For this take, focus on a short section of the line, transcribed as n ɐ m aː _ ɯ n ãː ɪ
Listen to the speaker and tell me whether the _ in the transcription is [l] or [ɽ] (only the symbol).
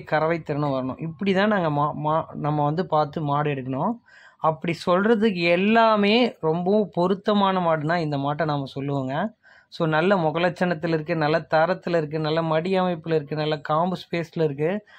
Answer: ɽ